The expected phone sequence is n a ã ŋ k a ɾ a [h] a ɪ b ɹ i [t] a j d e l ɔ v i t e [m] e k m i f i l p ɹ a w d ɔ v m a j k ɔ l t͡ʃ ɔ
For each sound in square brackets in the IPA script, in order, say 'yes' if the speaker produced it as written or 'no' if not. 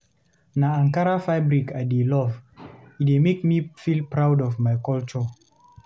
no, no, yes

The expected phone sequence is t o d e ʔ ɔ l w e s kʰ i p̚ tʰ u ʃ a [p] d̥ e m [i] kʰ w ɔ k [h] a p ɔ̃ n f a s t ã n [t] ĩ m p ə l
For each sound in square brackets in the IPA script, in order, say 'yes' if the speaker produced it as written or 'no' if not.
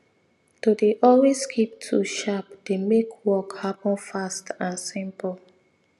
yes, no, yes, no

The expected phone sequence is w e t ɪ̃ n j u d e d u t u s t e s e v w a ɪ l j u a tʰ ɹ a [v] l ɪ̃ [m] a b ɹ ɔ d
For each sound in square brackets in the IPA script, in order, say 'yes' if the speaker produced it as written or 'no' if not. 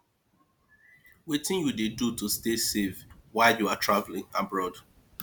yes, no

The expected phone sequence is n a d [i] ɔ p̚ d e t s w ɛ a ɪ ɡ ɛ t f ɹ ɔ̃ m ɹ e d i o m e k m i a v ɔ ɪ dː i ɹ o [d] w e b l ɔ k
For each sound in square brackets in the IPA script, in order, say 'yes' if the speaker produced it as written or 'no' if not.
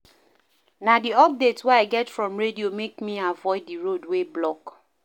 yes, yes

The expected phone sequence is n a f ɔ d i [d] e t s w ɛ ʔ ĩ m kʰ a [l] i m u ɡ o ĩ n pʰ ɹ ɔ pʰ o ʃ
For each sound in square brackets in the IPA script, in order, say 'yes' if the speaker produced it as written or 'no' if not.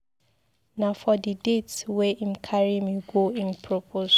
yes, no

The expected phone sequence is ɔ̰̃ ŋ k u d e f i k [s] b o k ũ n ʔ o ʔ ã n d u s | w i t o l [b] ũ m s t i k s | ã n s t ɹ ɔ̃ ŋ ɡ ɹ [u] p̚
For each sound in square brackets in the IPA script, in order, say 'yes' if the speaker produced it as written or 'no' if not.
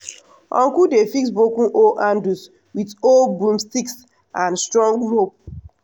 yes, yes, no

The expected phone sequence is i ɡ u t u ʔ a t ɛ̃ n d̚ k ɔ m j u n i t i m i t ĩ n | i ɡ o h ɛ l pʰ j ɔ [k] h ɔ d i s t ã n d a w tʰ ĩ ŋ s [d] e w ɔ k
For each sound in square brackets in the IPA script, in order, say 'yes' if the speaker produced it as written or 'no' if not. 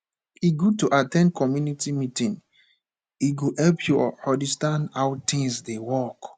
no, yes

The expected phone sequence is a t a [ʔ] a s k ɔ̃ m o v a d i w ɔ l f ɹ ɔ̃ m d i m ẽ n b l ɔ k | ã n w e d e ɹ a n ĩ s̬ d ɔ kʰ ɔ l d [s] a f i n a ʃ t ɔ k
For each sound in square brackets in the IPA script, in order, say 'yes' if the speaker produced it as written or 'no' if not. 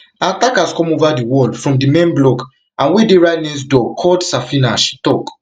no, yes

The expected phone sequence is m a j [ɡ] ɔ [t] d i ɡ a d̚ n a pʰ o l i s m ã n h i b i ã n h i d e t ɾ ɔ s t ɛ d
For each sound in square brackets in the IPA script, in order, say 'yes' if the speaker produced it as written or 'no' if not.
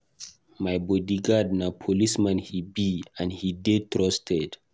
no, no

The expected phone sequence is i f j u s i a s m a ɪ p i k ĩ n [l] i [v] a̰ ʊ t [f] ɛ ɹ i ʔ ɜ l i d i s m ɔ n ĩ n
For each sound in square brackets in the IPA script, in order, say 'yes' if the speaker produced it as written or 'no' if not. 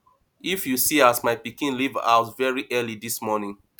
yes, yes, no

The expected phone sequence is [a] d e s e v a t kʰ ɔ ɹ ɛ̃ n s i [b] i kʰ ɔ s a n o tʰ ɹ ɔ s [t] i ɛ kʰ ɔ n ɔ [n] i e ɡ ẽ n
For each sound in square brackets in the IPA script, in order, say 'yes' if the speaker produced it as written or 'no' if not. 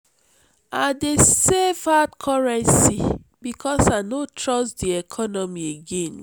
yes, yes, no, no

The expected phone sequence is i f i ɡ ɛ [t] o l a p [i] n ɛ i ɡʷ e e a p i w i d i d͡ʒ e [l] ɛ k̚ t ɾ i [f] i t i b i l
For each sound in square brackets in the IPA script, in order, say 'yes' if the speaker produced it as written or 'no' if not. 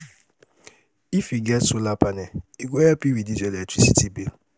no, no, yes, no

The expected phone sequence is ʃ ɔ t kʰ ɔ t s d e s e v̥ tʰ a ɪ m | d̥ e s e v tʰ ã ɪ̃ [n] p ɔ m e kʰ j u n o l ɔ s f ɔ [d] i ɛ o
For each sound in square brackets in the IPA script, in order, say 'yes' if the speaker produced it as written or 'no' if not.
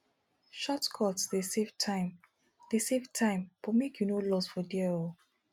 no, yes

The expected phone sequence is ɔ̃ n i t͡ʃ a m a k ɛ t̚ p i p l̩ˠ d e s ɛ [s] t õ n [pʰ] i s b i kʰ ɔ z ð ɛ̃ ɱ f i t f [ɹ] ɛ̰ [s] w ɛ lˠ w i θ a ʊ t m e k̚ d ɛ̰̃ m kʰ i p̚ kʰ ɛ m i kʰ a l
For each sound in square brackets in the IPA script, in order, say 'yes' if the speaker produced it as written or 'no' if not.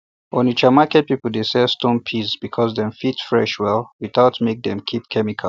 yes, yes, yes, no

